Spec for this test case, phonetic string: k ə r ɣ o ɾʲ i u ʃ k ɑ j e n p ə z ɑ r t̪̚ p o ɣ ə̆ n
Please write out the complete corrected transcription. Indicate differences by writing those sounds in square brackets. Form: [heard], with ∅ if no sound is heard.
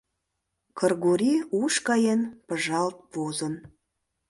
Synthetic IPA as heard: k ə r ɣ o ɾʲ i u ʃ k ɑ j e n p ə [ʒ] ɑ [l] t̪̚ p o [z] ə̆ n